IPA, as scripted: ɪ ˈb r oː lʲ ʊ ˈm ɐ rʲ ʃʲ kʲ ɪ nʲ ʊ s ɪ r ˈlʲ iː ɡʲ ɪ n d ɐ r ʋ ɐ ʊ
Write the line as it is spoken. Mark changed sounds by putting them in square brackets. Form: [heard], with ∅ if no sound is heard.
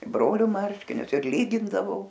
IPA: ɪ ˈb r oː lʲ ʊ ˈm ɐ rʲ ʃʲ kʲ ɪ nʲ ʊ s ɪ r ˈlʲ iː ɡʲ ɪ n d ɐ [∅] ʋ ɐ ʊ

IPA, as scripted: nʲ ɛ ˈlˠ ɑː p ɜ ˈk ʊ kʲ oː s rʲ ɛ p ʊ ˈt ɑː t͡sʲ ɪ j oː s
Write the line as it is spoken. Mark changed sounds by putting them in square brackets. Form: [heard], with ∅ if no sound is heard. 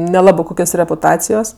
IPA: nʲ ɛ ˈlˠ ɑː [b] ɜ ˈk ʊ kʲ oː s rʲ ɛ p ʊ ˈt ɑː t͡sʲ ɪ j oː s

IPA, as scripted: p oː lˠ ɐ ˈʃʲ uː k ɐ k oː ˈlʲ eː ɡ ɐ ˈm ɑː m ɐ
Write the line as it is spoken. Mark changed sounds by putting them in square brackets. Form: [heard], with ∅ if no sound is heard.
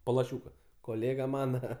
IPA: p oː lˠ ɐ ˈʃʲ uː k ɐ k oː ˈlʲ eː ɡ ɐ ˈm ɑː [n] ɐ

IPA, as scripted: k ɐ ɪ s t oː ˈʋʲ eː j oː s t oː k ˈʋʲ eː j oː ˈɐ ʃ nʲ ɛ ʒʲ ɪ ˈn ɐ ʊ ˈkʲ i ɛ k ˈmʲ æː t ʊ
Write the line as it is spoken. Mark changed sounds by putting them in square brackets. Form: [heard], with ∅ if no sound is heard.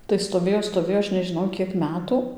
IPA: [t] ɐ ɪ s t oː ˈʋʲ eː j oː s t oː [∅] ˈʋʲ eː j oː ˈɐ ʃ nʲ ɛ ʒʲ ɪ ˈn ɐ ʊ ˈkʲ i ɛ k ˈmʲ æː t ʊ

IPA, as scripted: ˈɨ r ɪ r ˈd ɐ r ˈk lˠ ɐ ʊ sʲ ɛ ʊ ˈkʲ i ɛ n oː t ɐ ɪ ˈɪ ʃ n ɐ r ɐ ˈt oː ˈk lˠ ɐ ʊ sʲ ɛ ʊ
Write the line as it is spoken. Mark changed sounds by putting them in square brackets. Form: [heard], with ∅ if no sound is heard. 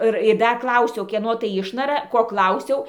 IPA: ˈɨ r ɪ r ˈd ɐ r ˈk lˠ ɐ ʊ sʲ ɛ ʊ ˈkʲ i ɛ n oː t ɐ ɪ ˈɪ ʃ n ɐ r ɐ [ˈk] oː ˈk lˠ ɐ ʊ sʲ ɛ ʊ

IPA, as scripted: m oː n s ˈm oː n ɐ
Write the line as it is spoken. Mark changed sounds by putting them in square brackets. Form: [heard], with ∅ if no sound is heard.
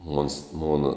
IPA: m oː n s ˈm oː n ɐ

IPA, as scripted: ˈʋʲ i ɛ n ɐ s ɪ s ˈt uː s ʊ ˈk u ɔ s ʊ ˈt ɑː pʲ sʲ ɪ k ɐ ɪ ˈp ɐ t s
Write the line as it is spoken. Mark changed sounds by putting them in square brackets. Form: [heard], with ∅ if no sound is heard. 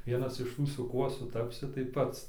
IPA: ˈʋʲ i ɛ n ɐ s ɪ [ʃ] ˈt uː s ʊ ˈk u ɔ s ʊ ˈt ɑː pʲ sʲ ɪ [t] ɐ ɪ ˈp ɐ t s

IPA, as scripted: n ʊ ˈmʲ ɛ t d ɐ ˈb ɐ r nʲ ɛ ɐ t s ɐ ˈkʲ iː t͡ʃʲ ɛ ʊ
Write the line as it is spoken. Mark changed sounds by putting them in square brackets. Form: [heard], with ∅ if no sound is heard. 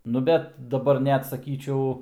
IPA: n ʊ [ˈbʲ] ɛ t d ɐ ˈb ɐ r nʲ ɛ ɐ t s ɐ ˈkʲ iː t͡ʃʲ ɛ ʊ

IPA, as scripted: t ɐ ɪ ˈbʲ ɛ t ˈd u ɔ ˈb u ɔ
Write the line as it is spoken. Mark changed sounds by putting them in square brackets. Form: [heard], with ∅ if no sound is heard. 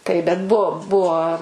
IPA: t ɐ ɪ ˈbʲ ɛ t [ˈb] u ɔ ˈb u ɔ

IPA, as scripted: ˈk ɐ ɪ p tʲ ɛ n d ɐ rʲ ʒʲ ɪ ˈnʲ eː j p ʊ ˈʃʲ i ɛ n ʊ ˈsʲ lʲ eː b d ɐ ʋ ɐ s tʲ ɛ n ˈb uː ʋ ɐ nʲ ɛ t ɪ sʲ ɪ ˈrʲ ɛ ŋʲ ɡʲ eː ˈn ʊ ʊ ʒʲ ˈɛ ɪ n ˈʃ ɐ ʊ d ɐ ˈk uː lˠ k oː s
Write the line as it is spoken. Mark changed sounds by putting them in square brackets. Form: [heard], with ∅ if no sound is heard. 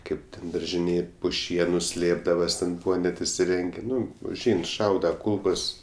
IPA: ˈk ɐ ɪ p tʲ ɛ n d ɐ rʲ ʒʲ ɪ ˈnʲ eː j p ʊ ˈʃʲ i ɛ n ʊ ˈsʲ lʲ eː b d ɐ ʋ ɐ s tʲ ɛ n ˈb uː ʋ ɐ nʲ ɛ t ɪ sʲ ɪ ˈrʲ ɛ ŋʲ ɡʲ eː ˈn ʊ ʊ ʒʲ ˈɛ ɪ n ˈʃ ɐ ʊ d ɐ ˈk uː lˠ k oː s

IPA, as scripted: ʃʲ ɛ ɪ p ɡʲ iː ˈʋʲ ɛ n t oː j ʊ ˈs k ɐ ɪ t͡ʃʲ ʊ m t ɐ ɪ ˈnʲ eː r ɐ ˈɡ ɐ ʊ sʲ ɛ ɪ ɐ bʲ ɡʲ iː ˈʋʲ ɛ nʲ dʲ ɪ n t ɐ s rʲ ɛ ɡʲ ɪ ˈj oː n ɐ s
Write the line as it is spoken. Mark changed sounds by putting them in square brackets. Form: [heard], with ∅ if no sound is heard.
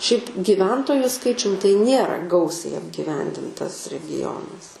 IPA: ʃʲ ɛ ɪ p ɡʲ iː ˈʋʲ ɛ n t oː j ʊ ˈs k ɐ ɪ t͡ʃʲ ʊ m t ɐ ɪ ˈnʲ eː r ɐ ˈɡ ɐ ʊ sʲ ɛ ɪ ɐ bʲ ɡʲ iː ˈʋʲ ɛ nʲ dʲ ɪ n t ɐ s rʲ ɛ ɡʲ ɪ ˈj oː n ɐ s

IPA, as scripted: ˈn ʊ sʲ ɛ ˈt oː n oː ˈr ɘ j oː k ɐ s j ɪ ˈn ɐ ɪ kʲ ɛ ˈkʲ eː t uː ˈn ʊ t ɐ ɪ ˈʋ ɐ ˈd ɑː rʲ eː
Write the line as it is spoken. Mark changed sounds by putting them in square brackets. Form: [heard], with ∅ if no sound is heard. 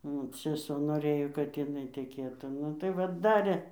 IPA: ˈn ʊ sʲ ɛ [ˈs] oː n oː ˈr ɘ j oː k ɐ [t] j ɪ ˈn ɐ ɪ [tʲ] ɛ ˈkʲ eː t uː ˈn ʊ t ɐ ɪ ˈʋ ɐ ˈd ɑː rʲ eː

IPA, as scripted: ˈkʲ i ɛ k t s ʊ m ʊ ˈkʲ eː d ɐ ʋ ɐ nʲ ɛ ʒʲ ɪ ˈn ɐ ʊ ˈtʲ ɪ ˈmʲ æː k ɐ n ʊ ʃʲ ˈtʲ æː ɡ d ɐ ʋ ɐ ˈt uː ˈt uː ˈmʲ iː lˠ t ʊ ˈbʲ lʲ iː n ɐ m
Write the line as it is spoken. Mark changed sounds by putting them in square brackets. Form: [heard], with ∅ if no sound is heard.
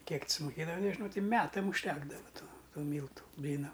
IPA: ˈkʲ i ɛ k t s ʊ m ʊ ˈkʲ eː d ɐ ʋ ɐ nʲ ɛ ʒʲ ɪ ˈn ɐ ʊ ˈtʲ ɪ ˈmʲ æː [t] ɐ [m] ʊ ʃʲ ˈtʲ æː ɡ d ɐ ʋ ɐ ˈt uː ˈt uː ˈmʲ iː lˠ t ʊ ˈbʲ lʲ iː n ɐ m

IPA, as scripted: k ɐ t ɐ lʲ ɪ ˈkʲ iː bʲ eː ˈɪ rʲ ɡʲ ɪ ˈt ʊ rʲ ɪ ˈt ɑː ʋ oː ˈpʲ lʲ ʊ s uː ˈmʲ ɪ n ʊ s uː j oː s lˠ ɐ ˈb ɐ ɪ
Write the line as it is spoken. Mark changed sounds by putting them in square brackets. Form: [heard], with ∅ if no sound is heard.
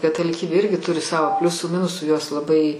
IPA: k ɐ t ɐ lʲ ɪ ˈkʲ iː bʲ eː ˈɪ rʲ ɡʲ ɪ ˈt ʊ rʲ ɪ [ˈs] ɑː ʋ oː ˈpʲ lʲ ʊ s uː ˈmʲ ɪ n ʊ s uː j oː s lˠ ɐ ˈb ɐ ɪ

